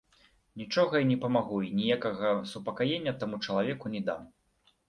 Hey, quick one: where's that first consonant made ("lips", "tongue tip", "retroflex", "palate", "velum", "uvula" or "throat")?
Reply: tongue tip